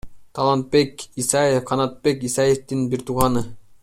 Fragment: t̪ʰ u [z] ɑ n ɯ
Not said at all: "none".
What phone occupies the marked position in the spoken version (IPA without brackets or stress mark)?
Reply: ʁ